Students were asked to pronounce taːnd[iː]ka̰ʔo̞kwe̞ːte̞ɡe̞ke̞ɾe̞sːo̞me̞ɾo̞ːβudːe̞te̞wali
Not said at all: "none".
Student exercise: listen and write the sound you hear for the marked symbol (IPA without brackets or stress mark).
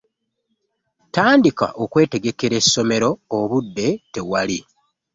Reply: i